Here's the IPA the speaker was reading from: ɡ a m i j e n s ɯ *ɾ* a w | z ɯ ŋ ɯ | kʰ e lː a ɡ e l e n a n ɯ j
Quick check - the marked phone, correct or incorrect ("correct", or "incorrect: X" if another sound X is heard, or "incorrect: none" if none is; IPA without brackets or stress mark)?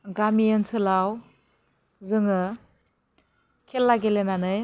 incorrect: l